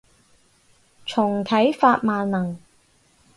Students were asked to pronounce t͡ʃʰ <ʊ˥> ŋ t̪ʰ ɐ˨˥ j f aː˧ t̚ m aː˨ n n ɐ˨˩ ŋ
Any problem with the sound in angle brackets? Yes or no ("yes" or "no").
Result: yes